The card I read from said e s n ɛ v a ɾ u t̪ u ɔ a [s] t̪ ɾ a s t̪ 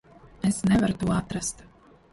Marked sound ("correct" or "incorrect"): incorrect